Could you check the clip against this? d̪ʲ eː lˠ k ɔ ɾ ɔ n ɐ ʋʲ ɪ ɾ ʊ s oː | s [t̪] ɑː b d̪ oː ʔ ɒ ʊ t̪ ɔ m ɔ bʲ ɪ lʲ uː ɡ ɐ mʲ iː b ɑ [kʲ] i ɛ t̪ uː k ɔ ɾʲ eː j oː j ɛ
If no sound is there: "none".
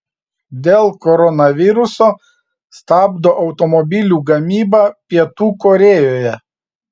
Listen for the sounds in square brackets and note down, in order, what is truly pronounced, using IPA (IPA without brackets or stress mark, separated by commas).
t̪, pʲ